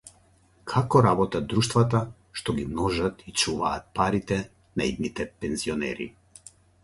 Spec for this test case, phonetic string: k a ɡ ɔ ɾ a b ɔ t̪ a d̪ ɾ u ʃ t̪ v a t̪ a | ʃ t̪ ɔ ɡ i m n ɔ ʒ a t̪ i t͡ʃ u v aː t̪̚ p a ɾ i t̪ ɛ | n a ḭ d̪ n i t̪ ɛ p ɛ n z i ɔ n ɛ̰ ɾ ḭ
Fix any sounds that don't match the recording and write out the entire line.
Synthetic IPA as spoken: kʰ a k ɔ ɾ a b ɔ t̪ a d̪ ɾ u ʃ t̪ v a t̪ a | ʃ t̪ ɔ ɡ i m n ɔ ʒ a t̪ i t͡ʃ u v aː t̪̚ p a ɾ i t̪ ɛ | n a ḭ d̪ n i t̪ ɛ p ɛ n z i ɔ n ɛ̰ ɾ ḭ

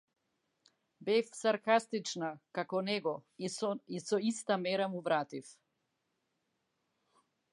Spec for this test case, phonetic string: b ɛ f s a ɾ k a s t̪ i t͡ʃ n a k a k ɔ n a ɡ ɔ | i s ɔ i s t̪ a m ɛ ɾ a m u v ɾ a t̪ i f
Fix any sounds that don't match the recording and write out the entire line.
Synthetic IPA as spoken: b ɛ f s a ɾ k a s t̪ i t͡ʃ n a k a k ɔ n ɛ ɡ ɔ | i s ɔ i s t̪ a m ɛ ɾ a m u v ɾ a t̪ i f

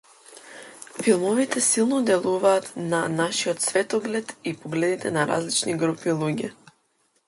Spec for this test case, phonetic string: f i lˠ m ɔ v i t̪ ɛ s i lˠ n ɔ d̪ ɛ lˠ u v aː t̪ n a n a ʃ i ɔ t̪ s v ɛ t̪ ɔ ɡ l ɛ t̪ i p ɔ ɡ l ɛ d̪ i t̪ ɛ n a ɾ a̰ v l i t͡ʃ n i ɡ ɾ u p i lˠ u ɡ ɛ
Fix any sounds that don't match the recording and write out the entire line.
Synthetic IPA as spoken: f i lˠ m ɔ v i t̪ ɛ s i lˠ n ɔ d̪ ɛ lˠ u v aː t̪ n a n a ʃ i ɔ t̪ s v ɛ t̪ ɔ ɡ l ɛ t̪ i p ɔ ɡ l ɛ d̪ i t̪ ɛ n a ɾ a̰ z l i t͡ʃ n i ɡ ɾ u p i lˠ u ɟ ɛ

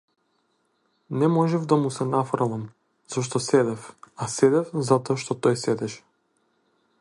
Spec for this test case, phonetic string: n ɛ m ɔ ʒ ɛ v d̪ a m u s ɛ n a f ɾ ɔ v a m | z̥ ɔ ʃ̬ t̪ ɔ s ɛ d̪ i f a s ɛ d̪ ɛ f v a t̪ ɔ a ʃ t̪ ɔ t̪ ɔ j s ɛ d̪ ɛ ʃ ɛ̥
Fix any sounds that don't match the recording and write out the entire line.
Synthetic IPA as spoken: n ɛ m ɔ ʒ ɛ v d̪ a m u s ɛ n a f ɾ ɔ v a m | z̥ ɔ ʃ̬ t̪ ɔ s ɛ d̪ ɛ f a s ɛ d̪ ɛ f z a t̪ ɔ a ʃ t̪ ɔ t̪ ɔ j s ɛ d̪ ɛ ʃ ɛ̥

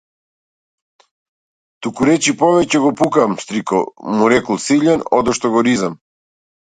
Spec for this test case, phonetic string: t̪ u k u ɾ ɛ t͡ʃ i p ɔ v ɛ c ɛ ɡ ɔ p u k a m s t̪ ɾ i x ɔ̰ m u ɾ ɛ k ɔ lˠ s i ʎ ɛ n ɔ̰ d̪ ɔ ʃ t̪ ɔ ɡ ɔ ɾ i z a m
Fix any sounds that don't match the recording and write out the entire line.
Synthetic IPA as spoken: t̪ u k u ɾ ɛ t͡ʃ i p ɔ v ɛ c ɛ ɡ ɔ p u k a m s t̪ ɾ i k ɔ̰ m u ɾ ɛ k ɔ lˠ s i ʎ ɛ n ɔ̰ d̪ ɔ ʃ t̪ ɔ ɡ ɔ ɾ i z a m

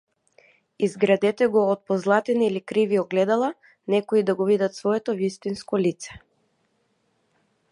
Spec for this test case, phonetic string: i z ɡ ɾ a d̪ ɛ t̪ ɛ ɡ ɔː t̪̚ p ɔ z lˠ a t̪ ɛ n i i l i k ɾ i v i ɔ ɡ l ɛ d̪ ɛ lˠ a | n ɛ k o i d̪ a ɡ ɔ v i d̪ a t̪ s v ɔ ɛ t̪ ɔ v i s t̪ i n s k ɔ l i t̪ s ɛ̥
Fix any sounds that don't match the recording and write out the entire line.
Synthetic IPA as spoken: i z ɡ ɾ a d̪ ɛ t̪ ɛ ɡ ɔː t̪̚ p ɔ z lˠ a t̪ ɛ n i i l i k ɾ i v i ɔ ɡ l ɛ d̪ a lˠ a | n ɛ k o i d̪ a ɡ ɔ v i d̪ a t̪ s v ɔ ɛ t̪ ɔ v i s t̪ i n s k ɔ l i t̪ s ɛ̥

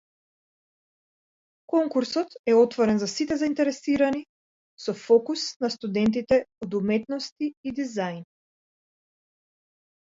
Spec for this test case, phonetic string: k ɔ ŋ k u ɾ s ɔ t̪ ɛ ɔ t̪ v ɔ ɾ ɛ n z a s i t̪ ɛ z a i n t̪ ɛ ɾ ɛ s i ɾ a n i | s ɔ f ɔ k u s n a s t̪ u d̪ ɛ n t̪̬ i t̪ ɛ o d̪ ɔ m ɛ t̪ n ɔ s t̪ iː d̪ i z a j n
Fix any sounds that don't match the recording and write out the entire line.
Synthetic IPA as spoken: k ɔ ŋ k u ɾ s ɔ t̪ ɛ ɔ t̪ v ɔ ɾ ɛ n z a s i t̪ ɛ z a i n t̪ ɛ ɾ ɛ s i ɾ a n i | s ɔ f ɔ k u s n a s t̪ u d̪ ɛ n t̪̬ i t̪ ɛ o d̪ u m ɛ t̪ n ɔ s t̪ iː d̪ i z a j n

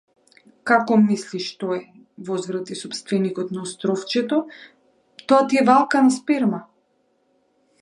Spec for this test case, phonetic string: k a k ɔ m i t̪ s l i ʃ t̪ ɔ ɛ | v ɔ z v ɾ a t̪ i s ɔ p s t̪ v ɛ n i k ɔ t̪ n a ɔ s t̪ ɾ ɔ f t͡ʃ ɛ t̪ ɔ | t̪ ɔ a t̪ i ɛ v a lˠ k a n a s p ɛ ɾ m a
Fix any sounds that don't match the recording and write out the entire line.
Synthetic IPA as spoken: k a k ɔ m i s l i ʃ t̪ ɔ ɛ | v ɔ z v ɾ a t̪ i s ɔ p s t̪ v ɛ n i k ɔ t̪ n a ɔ s t̪ ɾ ɔ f t͡ʃ ɛ t̪ ɔ | t̪ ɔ a t̪ i ɛ v a lˠ k a n a s p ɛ ɾ m a

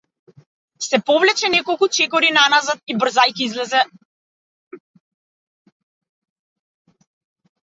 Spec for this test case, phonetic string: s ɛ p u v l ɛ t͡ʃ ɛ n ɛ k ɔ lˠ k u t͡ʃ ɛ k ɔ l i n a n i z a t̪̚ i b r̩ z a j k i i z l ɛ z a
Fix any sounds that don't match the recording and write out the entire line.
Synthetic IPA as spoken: s ɛ p ɔ v l ɛ t͡ʃ ɛ n ɛ k ɔ lˠ k u t͡ʃ ɛ k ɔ ɾ i n a n a z a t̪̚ i b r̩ z a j k i i z l ɛ z ɛ

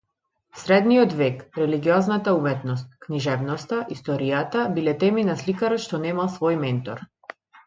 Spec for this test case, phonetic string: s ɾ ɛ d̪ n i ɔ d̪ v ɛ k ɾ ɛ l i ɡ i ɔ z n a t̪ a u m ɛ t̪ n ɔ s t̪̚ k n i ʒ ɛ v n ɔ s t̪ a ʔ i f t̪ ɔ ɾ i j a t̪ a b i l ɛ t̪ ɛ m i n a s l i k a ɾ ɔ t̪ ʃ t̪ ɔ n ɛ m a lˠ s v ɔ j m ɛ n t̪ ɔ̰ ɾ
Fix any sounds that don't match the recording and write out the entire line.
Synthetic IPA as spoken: s ɾ ɛ d̪ n i ɔ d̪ v ɛ k ɾ ɛ l i ɡ i ɔ z n a t̪ a u m ɛ t̪ n ɔ s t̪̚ k n i ʒ ɛ v n ɔ s t̪ a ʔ i s t̪ ɔ ɾ i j a t̪ a b i l ɛ t̪ ɛ m i n a s l i k a ɾ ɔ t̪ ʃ t̪ ɔ n ɛ m a lˠ s v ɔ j m ɛ n t̪ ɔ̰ ɾ

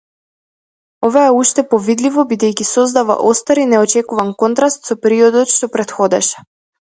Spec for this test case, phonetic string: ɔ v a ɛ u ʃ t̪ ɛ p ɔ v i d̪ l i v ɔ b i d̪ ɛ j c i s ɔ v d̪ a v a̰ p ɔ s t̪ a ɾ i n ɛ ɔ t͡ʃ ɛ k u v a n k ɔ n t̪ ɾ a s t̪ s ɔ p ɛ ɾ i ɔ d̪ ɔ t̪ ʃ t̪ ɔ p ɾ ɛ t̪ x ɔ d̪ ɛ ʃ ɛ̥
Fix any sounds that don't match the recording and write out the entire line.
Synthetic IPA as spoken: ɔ v a ɛ u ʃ t̪ ɛ p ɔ v i d̪ l i v ɔ b i d̪ ɛ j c i s ɔ z d̪ a v a̰ ʔ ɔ s t̪ a ɾ i n ɛ ɔ t͡ʃ ɛ k u v a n k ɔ n t̪ ɾ a s t̪ s ɔ p ɛ ɾ i ɔ d̪ ɔ t̪ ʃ t̪ ɔ p ɾ ɛ t̪ x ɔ d̪ ɛ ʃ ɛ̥

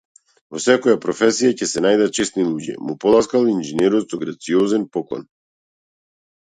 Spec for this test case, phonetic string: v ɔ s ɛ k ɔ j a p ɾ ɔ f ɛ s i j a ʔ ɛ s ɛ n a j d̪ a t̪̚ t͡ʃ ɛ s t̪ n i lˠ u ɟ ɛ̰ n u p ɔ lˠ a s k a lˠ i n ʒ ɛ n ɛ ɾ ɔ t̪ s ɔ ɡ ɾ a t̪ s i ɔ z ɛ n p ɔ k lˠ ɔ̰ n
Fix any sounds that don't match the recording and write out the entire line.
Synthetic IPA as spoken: v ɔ s ɛ k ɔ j a p ɾ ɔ f ɛ s i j a c ɛ s ɛ n a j d̪ a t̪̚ t͡ʃ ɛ s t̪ n i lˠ u ɟ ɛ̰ m u p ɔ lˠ a s k a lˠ i n ʒ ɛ n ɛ ɾ ɔ t̪ s ɔ ɡ ɾ a t̪ s i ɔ z ɛ n p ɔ k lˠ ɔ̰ n

